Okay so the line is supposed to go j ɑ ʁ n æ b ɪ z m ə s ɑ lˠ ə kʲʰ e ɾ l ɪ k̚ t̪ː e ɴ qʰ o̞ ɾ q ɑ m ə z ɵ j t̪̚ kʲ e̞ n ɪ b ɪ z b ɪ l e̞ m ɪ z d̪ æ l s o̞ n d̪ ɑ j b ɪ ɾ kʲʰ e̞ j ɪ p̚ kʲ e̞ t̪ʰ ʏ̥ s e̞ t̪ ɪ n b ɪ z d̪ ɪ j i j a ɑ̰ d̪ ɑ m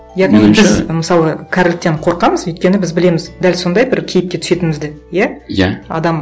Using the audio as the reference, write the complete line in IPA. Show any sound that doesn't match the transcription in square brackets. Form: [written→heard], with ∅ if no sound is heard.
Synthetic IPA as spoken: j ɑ ʁ n [æ→i] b ɪ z m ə s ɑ lˠ ə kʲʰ [e→æ] ɾ l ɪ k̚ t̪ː e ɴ qʰ o̞ ɾ q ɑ m ə z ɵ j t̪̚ kʲ e̞ n ɪ b ɪ z b ɪ l e̞ m ɪ z d̪ æ l s o̞ n d̪ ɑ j b ɪ ɾ kʲʰ e̞ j ɪ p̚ kʲ e̞ t̪ʰ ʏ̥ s e̞ t̪ ɪ n [b→m] ɪ z d̪ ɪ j [i→æ] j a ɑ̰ d̪ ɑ m